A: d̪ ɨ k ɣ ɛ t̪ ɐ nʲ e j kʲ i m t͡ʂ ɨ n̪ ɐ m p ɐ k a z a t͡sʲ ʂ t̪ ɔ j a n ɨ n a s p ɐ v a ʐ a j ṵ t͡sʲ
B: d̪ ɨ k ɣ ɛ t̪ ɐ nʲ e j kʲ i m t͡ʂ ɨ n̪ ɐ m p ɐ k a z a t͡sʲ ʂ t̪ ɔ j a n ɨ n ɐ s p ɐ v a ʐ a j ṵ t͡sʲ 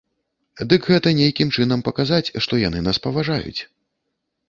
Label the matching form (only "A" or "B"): A